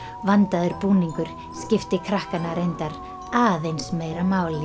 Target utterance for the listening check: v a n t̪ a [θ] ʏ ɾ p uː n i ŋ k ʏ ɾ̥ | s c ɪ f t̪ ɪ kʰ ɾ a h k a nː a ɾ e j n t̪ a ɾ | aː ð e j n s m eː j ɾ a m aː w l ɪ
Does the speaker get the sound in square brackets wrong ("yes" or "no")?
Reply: yes